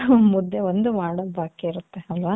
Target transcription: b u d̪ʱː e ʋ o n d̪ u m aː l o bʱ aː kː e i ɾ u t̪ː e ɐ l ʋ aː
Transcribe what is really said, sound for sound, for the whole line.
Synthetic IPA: m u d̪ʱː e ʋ o n d̪ u m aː ɽ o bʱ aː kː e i ɾ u t̪ː e ɐ l ʋ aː